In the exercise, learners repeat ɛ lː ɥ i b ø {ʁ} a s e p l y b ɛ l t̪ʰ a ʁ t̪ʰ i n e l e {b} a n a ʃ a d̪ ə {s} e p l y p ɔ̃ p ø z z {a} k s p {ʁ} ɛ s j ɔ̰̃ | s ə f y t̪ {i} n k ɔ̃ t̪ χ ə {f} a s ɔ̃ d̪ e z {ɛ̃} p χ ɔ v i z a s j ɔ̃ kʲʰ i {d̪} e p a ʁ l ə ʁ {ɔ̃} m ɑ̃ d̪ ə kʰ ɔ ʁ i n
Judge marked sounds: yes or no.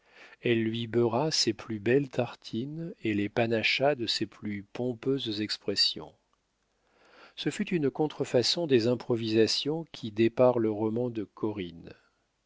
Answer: yes, no, yes, no, no, no, yes, yes, yes, no

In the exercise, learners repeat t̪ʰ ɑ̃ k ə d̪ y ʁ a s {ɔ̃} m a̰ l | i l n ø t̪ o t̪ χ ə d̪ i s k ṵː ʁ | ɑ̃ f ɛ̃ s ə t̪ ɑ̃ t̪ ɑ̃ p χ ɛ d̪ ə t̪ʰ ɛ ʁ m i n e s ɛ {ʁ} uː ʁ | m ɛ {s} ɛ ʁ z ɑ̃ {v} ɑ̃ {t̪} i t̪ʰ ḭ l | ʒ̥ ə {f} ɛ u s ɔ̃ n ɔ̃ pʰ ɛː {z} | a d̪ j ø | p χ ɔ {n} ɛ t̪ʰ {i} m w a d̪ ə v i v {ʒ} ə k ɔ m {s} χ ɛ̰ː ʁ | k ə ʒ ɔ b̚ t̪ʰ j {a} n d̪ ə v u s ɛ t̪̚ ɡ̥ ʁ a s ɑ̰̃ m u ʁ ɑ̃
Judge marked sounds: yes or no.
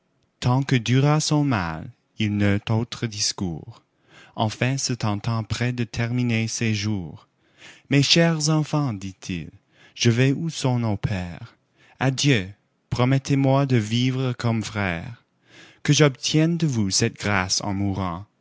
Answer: yes, no, no, no, no, no, no, no, no, no, no, no

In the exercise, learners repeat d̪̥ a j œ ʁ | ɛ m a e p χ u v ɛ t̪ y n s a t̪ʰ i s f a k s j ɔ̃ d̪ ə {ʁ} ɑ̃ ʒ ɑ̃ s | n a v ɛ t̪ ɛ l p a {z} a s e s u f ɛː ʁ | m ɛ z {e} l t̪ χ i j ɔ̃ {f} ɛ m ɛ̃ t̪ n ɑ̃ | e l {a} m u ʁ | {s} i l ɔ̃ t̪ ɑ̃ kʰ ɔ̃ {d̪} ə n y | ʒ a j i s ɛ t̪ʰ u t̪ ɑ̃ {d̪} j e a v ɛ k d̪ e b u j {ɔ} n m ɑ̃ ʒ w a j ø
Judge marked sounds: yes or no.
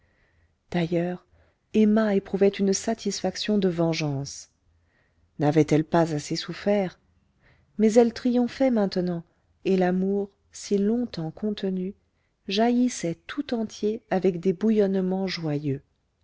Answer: no, yes, no, yes, yes, yes, no, no, yes

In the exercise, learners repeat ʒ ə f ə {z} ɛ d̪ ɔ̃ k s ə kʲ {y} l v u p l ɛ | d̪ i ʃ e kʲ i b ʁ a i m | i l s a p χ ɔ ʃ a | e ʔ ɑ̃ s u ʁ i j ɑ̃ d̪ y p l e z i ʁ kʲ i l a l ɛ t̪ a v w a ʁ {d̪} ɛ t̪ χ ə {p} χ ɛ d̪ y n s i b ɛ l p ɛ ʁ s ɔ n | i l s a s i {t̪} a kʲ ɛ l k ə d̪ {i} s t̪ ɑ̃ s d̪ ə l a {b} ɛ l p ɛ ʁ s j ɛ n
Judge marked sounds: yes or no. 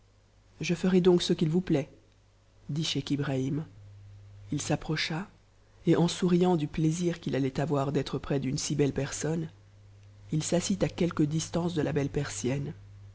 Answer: no, no, yes, yes, yes, yes, yes

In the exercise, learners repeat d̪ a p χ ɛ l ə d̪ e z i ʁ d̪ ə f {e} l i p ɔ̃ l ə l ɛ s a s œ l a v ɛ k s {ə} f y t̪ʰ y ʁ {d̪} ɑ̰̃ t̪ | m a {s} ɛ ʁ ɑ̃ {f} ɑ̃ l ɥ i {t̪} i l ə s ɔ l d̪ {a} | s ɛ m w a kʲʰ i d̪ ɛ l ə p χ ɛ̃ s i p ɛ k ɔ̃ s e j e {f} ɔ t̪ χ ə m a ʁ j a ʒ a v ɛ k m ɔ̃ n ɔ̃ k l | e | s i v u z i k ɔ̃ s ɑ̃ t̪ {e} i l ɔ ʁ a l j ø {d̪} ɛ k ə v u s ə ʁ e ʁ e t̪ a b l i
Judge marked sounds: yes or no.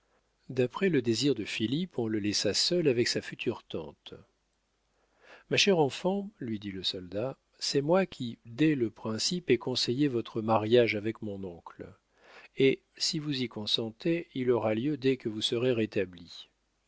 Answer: no, no, no, no, yes, no, yes, no, yes, yes

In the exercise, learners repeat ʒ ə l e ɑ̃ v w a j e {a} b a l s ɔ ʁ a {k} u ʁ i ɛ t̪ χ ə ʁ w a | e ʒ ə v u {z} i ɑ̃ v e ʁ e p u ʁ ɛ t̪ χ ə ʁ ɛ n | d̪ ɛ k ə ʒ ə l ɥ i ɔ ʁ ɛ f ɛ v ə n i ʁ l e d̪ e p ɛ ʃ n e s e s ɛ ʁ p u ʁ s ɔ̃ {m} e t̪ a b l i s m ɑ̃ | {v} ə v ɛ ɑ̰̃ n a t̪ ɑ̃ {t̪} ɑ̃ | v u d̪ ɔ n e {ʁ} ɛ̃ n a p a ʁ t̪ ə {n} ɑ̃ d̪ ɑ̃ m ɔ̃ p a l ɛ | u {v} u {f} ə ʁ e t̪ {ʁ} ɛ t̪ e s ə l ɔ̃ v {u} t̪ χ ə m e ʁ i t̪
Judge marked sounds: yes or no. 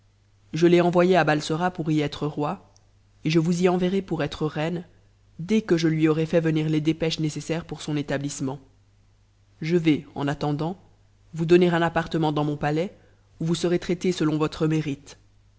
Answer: yes, no, yes, no, no, no, yes, no, yes, no, no, no

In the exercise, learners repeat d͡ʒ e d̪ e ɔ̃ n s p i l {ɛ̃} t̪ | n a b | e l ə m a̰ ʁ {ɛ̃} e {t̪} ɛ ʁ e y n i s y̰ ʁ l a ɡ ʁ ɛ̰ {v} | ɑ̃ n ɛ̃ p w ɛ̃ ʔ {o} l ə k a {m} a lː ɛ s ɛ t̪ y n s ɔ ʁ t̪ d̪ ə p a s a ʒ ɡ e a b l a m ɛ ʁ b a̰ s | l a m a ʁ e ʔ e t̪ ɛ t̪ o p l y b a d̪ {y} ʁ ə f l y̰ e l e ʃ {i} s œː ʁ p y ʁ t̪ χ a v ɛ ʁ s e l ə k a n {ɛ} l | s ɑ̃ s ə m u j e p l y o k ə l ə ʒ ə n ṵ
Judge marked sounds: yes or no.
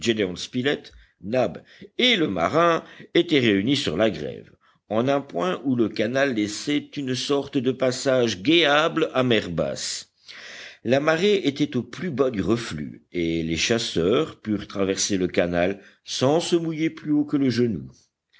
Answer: no, yes, yes, yes, no, no, yes, no, no

